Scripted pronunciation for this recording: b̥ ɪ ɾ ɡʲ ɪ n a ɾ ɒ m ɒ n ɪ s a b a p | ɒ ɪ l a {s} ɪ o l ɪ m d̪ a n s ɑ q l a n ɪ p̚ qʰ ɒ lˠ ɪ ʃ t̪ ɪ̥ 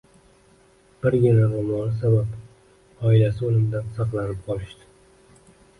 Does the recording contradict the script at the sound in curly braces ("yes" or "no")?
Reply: no